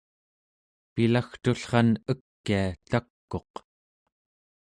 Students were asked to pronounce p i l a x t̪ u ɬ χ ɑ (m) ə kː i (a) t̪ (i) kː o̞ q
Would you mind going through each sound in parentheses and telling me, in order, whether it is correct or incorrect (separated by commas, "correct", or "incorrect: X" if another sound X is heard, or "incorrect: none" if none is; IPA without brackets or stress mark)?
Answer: incorrect: n, correct, incorrect: a